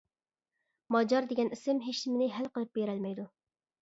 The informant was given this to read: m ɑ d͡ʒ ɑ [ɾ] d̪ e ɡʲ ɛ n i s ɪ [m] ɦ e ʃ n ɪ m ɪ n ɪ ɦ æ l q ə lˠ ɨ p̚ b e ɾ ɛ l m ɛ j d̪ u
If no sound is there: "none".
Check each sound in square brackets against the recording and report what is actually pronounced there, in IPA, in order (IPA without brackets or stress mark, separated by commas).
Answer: ɾ, m